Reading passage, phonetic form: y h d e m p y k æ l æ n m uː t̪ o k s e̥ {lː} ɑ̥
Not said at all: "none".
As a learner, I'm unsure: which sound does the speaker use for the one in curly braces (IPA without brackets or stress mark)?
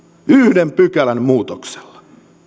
lː